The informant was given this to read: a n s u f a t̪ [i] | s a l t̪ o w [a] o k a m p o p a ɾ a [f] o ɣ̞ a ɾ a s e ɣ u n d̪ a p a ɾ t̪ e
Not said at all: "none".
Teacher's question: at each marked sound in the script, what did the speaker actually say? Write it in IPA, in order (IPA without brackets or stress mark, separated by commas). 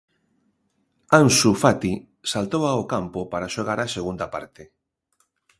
i, a, ʃ